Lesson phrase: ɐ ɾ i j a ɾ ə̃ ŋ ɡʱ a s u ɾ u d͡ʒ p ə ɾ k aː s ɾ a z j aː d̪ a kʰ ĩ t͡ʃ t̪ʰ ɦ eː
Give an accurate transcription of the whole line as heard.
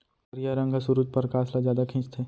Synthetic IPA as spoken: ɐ ɾ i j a ɾ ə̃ ŋ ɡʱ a s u ɾ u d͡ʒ p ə ɾ k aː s l a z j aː d̪ a kʰ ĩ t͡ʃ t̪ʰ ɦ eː